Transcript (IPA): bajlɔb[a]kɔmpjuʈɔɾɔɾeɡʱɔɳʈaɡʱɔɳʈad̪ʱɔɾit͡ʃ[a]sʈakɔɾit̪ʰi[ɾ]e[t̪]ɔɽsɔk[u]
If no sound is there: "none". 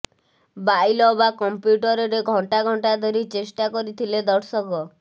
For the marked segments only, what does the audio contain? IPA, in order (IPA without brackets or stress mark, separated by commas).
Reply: a, e, l, d̪, ɔ